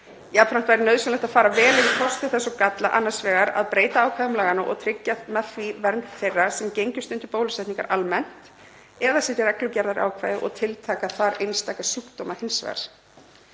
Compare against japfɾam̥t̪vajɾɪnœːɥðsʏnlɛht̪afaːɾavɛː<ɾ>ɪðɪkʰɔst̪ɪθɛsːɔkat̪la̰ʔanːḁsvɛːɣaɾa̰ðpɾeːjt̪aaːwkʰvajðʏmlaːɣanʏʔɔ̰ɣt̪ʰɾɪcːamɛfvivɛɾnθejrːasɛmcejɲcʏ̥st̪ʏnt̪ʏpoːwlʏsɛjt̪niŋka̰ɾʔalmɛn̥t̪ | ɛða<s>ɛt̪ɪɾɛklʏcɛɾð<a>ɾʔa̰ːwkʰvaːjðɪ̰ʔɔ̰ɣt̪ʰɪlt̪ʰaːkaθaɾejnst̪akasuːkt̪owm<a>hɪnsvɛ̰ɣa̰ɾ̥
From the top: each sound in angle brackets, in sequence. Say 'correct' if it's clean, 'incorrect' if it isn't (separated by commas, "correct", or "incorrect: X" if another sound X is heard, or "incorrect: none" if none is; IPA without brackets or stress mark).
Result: incorrect: l, correct, correct, correct